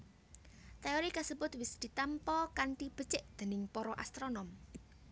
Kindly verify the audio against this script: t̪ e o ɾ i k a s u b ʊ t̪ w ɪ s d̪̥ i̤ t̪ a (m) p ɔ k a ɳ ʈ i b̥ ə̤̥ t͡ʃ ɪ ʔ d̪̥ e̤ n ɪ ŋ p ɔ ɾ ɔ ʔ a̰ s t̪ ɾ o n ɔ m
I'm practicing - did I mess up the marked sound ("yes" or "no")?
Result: no